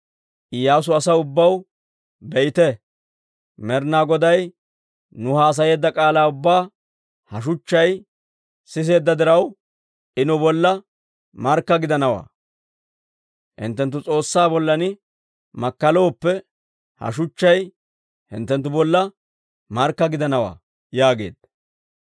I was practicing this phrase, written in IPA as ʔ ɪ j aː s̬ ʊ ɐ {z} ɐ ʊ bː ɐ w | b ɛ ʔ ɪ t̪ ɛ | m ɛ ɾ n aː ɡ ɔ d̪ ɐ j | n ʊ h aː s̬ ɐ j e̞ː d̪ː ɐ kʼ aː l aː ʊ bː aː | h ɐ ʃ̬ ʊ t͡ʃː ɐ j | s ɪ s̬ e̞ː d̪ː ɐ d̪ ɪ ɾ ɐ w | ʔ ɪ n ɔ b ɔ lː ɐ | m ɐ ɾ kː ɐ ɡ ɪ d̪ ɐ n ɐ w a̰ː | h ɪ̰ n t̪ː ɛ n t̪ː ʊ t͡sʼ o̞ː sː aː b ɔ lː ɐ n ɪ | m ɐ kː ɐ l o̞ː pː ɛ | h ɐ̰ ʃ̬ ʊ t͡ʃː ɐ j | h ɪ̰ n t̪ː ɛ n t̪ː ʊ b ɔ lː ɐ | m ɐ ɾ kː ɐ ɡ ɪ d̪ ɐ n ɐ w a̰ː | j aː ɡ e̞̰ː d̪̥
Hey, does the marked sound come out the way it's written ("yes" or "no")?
no